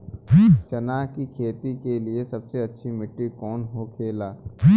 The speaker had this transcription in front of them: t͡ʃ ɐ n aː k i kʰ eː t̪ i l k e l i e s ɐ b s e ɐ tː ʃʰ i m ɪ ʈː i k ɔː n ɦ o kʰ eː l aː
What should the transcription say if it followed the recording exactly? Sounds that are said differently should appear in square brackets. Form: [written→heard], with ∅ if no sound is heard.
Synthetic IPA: t͡ʃ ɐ n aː k i kʰ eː t̪ i [l→∅] k e l i e s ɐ b s e ɐ tː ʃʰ i m ɪ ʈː i k ɔː n ɦ o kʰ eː l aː